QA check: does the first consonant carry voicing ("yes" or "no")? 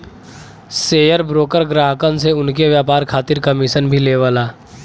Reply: no